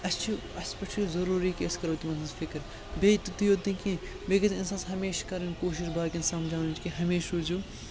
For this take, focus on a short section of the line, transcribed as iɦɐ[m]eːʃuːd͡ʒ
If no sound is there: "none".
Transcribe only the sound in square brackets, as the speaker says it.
m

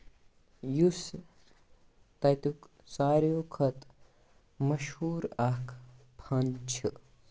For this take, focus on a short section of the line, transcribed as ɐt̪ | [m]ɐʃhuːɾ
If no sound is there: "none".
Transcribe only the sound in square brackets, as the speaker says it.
m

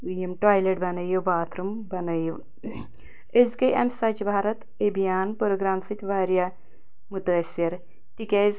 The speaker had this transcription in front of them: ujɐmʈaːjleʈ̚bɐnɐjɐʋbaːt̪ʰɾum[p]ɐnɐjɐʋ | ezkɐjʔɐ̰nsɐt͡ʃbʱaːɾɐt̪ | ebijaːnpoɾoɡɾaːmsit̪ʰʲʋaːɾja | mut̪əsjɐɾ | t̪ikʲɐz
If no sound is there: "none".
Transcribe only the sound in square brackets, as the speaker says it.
b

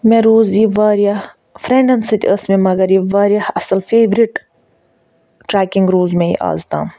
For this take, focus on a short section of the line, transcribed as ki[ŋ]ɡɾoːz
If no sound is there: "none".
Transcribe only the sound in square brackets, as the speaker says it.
ŋ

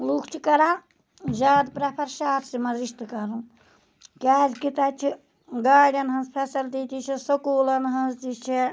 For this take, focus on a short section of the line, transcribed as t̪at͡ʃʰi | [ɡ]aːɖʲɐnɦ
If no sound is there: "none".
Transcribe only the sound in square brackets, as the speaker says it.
ɡ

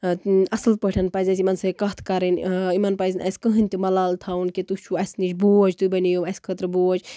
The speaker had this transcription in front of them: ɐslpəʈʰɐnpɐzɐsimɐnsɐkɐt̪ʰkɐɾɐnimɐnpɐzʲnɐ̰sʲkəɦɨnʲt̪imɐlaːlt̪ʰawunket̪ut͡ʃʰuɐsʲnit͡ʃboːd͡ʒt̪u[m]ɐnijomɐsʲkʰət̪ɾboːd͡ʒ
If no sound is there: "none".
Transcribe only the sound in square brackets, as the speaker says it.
b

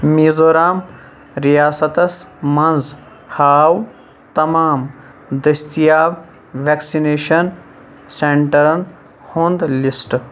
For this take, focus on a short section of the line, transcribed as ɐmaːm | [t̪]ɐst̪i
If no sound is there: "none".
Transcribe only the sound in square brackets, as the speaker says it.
d̪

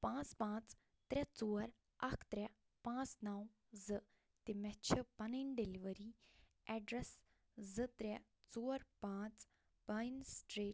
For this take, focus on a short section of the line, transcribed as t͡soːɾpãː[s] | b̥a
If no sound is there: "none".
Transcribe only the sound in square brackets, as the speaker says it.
t͡s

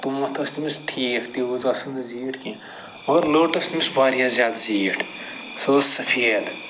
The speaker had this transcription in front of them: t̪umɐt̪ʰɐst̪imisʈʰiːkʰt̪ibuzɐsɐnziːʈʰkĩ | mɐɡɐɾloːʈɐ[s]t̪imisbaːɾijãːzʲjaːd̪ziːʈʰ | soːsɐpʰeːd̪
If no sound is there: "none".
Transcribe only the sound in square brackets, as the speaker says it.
s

